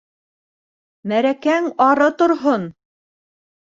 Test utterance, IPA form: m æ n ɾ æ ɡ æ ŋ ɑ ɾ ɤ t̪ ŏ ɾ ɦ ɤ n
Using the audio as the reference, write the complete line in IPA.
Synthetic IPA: m æ ɾ æ k æ ŋ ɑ ɾ ɤ t̪ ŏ ɾ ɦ o n